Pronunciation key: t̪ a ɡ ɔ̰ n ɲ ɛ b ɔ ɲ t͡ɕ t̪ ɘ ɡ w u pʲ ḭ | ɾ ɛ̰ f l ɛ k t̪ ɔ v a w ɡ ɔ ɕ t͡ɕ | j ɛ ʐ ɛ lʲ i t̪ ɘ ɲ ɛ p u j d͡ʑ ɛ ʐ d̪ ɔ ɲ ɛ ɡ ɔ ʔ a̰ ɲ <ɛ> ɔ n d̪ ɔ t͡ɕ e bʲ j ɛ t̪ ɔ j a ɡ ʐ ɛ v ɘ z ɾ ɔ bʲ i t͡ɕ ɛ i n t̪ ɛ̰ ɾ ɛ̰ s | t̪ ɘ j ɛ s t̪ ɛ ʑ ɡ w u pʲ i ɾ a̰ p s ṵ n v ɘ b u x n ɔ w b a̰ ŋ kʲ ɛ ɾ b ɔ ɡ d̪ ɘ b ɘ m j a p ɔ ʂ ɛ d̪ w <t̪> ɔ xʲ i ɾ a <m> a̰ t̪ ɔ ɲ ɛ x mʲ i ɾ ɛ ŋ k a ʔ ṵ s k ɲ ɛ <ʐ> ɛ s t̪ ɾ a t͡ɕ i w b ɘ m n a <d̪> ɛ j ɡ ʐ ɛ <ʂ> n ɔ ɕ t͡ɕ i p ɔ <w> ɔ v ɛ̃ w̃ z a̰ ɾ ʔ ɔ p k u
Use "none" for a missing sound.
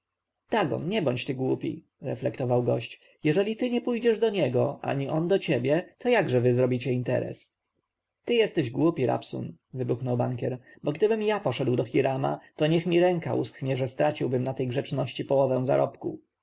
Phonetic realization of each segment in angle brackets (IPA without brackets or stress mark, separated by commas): i, d̪, m, ʐ, t̪, t͡ʂ, w